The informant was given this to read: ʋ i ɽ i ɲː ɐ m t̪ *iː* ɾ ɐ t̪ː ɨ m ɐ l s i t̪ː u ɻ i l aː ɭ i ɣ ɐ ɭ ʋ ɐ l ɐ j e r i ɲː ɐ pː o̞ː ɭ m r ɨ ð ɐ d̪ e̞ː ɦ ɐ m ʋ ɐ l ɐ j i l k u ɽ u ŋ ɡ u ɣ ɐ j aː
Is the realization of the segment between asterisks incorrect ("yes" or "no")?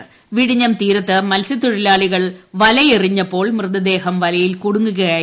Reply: no